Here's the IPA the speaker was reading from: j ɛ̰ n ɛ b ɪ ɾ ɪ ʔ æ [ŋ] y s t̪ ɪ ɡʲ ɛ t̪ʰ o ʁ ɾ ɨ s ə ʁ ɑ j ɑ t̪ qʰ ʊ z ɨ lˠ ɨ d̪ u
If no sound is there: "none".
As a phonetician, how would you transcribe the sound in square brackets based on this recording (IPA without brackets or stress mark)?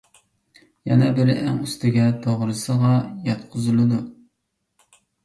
ŋ